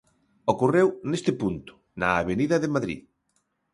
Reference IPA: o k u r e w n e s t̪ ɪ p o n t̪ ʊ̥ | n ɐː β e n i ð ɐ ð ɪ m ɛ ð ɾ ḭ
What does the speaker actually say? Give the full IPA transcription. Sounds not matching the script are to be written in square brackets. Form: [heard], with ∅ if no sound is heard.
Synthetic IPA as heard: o k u r e w n e s t̪ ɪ p [u] n t̪ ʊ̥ | n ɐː β e n i ð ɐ ð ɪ m [a] ð ɾ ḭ